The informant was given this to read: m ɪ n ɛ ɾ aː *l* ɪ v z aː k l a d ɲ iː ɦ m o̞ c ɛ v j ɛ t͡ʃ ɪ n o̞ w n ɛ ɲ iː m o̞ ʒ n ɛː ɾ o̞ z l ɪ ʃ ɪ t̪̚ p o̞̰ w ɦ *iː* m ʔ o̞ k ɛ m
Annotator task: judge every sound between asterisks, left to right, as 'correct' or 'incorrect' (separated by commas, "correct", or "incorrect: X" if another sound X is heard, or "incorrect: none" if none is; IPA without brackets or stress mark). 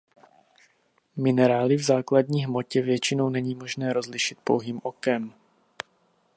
correct, correct